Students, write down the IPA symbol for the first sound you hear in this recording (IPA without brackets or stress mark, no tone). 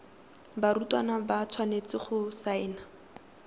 b